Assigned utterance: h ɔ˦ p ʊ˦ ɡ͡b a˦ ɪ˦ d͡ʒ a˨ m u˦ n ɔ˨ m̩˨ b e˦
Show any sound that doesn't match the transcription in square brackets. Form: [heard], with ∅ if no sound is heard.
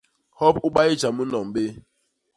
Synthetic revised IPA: h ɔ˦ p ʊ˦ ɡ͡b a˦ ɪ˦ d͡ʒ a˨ m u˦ n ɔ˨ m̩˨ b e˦